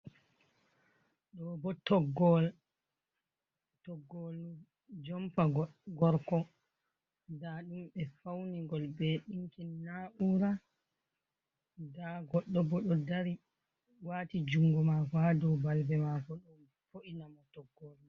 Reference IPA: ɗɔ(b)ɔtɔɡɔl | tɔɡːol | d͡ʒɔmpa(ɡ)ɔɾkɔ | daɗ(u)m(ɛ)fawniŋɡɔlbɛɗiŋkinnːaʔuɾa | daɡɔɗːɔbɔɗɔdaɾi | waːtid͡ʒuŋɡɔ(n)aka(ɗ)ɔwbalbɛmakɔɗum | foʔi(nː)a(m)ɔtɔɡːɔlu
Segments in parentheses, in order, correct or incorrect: correct, correct, correct, correct, incorrect: m, incorrect: d, incorrect: n, correct

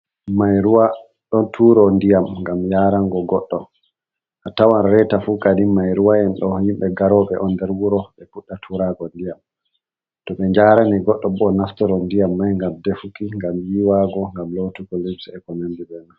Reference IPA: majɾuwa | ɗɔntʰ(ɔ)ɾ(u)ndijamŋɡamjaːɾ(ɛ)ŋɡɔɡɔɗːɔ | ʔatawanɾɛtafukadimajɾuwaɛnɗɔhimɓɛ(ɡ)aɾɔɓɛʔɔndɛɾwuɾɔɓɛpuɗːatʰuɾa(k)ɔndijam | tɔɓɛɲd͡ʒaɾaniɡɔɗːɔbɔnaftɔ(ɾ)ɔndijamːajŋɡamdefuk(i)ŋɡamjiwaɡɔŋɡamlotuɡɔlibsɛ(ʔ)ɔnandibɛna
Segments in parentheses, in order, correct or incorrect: incorrect: u, incorrect: ɔ, incorrect: a, correct, incorrect: ɡ, correct, correct, incorrect: k

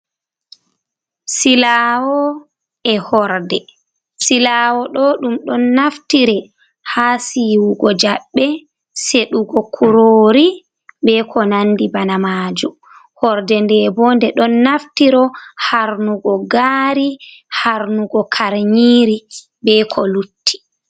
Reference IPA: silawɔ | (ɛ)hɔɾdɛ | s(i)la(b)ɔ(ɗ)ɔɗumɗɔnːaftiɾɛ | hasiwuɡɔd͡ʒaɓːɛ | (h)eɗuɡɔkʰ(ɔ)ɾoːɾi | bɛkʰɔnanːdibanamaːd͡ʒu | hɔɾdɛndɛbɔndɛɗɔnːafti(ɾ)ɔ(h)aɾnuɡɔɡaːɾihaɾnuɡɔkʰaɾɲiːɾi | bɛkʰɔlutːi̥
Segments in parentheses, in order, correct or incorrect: correct, correct, incorrect: w, correct, incorrect: s, incorrect: u, correct, correct

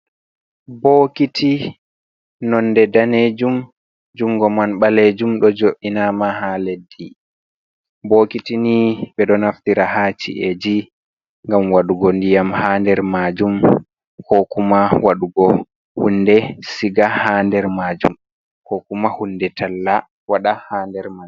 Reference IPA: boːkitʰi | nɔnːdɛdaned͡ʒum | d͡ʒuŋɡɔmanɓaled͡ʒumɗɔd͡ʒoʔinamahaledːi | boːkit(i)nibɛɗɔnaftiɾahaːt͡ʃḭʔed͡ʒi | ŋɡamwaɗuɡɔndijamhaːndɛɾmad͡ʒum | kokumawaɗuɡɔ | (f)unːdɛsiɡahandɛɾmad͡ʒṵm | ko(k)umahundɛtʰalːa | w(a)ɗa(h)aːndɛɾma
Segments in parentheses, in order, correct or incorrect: correct, incorrect: h, correct, correct, correct

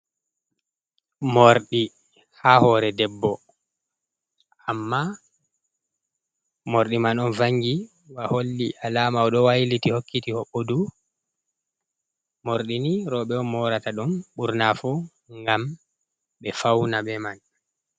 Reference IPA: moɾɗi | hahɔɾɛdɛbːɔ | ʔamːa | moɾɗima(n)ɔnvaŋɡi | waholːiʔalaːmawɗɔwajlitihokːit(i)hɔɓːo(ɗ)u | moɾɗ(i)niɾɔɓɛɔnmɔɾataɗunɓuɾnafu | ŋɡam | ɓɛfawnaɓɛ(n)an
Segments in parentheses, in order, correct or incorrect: correct, correct, incorrect: d, correct, incorrect: m

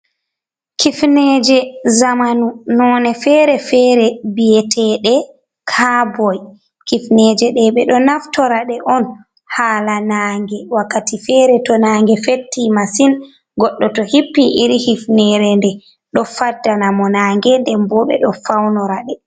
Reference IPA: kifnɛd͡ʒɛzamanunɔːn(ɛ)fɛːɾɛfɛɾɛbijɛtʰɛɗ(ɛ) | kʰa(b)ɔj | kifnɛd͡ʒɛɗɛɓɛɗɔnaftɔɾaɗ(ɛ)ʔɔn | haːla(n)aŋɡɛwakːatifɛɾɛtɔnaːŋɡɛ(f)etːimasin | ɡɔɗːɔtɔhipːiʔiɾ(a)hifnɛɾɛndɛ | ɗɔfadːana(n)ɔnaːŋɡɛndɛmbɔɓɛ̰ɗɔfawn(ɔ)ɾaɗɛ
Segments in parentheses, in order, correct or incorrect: correct, correct, correct, correct, correct, correct, incorrect: i, incorrect: m, correct

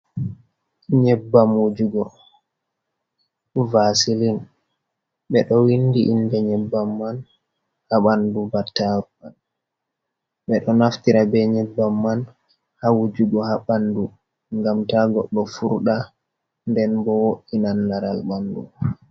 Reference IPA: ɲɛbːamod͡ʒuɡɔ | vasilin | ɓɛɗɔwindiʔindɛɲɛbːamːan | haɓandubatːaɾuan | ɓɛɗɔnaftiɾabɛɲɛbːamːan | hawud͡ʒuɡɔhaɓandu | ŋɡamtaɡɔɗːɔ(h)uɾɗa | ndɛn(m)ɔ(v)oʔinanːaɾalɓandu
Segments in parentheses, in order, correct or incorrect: incorrect: f, incorrect: b, incorrect: w

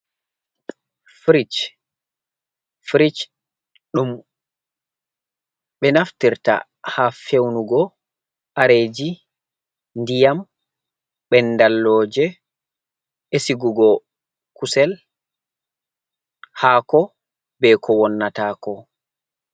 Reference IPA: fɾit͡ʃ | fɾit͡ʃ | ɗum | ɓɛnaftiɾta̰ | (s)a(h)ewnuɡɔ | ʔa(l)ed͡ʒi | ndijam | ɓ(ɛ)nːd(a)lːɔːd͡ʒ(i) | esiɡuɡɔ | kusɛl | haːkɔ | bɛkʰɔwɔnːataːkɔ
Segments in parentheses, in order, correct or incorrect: incorrect: h, incorrect: f, incorrect: ɾ, correct, correct, incorrect: ɛ

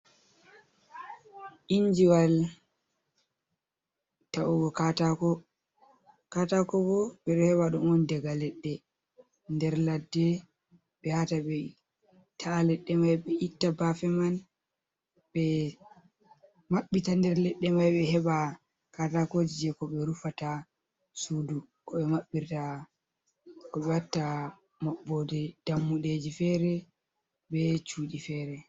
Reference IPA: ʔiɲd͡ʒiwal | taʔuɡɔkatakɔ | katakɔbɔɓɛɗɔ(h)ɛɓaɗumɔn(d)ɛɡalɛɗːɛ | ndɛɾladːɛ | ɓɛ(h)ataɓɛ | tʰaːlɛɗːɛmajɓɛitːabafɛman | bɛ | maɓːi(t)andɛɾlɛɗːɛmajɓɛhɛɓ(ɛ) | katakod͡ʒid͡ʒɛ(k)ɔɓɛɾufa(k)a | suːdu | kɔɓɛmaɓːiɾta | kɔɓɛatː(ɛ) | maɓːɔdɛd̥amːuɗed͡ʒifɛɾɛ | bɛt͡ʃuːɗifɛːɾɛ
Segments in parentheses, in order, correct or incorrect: correct, correct, correct, correct, incorrect: a, correct, incorrect: t, incorrect: a

